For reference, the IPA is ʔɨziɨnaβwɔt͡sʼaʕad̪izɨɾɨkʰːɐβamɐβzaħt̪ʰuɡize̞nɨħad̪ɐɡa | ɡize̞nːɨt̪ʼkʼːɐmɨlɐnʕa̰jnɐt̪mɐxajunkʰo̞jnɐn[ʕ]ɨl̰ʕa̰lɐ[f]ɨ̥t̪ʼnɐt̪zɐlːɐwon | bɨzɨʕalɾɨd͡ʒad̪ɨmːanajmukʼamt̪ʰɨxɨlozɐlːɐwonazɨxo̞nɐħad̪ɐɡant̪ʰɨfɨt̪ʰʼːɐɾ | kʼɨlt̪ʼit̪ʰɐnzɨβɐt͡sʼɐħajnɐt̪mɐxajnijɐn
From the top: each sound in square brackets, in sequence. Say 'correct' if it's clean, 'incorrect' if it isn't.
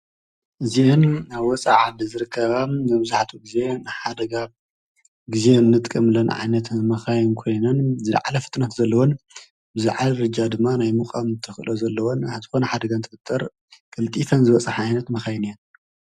incorrect, correct

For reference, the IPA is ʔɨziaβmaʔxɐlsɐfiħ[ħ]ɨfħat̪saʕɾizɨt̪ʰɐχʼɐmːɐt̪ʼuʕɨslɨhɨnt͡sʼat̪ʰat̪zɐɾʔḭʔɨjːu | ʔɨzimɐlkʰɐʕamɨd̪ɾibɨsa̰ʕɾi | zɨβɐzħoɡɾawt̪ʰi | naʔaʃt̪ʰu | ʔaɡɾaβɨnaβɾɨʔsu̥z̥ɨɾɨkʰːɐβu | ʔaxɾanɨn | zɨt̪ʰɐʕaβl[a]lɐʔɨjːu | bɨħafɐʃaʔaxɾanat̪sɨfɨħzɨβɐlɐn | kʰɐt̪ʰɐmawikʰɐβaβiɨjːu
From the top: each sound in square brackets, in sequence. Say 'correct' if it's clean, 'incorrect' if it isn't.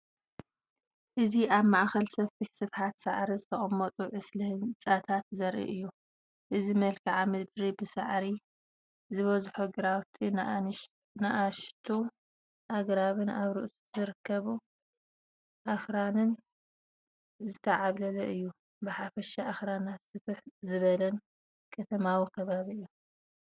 incorrect, incorrect

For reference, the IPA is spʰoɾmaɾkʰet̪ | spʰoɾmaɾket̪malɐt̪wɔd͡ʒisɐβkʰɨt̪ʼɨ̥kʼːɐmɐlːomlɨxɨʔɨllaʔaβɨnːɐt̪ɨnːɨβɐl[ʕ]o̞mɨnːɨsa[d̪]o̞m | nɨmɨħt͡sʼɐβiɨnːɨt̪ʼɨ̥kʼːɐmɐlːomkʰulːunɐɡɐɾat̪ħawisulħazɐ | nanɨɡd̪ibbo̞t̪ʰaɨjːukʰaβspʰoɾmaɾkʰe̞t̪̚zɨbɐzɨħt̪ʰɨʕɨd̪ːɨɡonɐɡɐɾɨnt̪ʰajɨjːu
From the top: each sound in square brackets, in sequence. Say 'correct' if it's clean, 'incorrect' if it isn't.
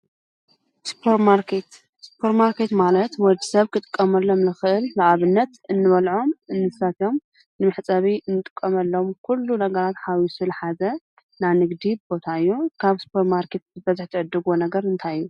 correct, incorrect

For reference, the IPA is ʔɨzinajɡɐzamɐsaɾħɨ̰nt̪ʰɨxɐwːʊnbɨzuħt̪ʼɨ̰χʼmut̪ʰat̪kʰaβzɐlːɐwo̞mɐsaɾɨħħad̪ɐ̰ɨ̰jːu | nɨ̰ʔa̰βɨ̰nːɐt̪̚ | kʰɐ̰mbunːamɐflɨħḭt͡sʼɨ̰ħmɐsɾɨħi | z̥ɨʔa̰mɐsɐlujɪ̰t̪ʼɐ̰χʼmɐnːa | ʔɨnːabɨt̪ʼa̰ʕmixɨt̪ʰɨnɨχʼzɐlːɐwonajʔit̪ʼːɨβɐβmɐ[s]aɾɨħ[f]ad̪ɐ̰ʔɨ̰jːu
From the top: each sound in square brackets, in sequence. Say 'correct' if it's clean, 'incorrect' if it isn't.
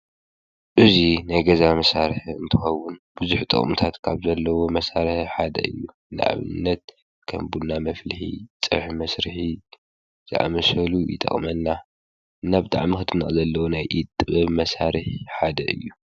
correct, incorrect

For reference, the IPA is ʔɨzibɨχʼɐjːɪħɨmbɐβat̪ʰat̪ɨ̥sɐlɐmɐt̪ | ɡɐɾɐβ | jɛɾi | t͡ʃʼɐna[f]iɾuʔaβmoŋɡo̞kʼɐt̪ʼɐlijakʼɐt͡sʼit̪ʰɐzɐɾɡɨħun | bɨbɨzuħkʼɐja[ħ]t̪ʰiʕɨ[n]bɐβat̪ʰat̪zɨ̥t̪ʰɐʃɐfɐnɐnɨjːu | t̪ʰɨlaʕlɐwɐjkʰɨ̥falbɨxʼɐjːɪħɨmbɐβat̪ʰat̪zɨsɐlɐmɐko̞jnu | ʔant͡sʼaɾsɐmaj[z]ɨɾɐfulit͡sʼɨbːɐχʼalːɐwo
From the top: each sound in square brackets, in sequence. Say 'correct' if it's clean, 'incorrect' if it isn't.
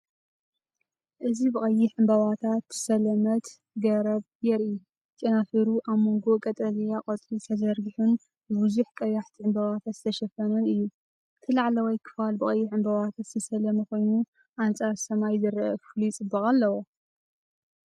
correct, correct, incorrect, correct

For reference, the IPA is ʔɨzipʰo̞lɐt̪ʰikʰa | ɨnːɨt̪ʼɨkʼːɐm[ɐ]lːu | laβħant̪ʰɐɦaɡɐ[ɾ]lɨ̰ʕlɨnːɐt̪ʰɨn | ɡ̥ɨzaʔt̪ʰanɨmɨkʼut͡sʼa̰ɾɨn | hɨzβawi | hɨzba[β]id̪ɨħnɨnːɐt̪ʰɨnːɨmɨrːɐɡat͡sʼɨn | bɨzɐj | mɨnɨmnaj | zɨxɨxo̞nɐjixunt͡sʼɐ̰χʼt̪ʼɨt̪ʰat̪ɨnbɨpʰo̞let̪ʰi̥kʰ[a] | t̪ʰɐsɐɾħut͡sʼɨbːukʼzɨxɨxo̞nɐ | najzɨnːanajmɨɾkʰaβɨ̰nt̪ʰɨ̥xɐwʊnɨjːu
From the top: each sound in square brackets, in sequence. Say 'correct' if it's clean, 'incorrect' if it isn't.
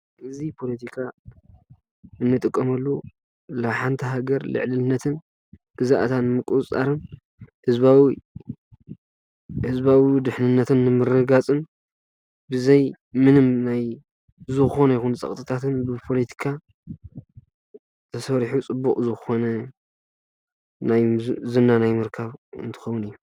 correct, correct, incorrect, correct

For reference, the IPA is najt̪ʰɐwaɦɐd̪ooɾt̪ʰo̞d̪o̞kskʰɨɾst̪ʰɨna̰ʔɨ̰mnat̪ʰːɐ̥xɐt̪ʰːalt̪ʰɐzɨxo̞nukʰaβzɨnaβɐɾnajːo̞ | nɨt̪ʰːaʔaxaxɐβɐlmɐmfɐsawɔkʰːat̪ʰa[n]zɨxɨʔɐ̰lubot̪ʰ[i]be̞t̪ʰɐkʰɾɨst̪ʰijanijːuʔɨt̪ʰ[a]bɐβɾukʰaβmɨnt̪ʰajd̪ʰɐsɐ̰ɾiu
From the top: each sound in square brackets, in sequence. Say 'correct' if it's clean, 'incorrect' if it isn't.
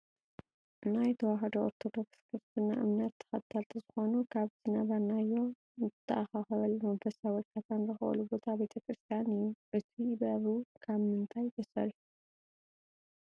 correct, incorrect, incorrect

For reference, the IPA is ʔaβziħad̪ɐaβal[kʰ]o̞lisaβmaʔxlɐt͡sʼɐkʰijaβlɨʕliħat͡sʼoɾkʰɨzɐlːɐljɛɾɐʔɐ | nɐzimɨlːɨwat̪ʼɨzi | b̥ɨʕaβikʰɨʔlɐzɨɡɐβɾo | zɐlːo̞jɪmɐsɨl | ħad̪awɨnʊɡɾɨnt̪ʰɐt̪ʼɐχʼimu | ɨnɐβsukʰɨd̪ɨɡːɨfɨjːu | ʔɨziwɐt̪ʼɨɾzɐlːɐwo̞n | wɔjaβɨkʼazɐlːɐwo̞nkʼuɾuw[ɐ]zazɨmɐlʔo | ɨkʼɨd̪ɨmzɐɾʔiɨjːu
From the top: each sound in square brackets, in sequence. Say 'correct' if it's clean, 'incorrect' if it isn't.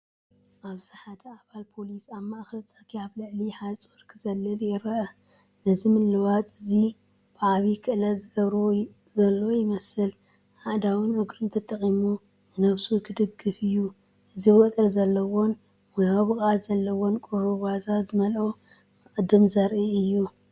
incorrect, incorrect

